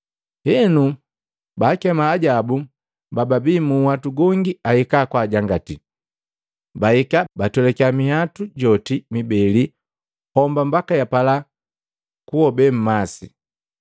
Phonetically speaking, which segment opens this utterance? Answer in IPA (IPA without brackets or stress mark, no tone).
h